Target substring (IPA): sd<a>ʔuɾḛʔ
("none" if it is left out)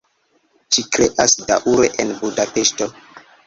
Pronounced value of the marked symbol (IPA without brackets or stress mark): a